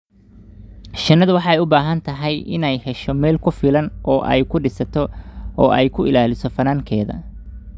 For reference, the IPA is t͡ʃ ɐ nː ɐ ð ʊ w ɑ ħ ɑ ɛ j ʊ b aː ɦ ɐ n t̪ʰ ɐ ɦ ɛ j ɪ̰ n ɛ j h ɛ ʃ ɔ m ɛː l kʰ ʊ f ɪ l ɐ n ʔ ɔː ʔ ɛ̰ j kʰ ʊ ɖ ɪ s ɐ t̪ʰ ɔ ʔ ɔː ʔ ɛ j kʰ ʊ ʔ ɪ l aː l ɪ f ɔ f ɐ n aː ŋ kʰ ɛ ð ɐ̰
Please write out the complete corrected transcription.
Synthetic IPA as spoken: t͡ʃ ɐ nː ɐ ð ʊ w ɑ ħ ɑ ɛ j ʊ b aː ɦ ɐ n t̪ʰ ɐ ɦ ɛ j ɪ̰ n ɛ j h ɛ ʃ ɔ m ɛː l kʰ ʊ f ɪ l ɐ n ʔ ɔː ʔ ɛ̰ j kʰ ʊ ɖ ɪ s ɐ t̪ʰ ɔ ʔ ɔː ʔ ɛ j kʰ ʊ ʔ ɪ l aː l ɪ s ɔ f ɐ n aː ŋ kʰ ɛː ð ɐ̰